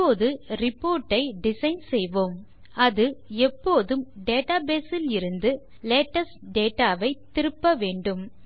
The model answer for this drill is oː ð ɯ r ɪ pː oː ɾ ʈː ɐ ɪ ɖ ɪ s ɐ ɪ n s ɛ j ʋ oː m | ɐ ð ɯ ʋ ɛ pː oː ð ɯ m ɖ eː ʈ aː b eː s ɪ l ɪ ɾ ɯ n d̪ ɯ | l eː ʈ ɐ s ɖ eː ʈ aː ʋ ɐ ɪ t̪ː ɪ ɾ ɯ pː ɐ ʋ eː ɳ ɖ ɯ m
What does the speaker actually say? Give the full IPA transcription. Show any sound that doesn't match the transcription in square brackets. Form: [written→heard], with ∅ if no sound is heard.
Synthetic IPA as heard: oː ð ɯ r ɪ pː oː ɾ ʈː ɐ ɪ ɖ ɪ s ɐ ɪ n s ɛ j ʋ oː m | ɐ ð ɯ [ʋ→∅] ɛ pː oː ð ɯ m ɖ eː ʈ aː b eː s ɪ l ɪ ɾ ɯ n d̪ ɯ | l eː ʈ ɐ s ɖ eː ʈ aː ʋ ɐ ɪ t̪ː ɪ ɾ ɯ pː ɐ ʋ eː ɳ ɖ ɯ m